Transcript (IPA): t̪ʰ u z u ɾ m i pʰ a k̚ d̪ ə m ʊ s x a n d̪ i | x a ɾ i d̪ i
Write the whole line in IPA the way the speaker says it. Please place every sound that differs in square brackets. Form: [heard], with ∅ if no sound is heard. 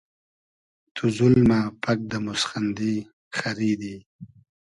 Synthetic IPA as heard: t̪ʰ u z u [l] m [a] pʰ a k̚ d̪ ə m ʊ s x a n d̪ i | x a ɾ i d̪ i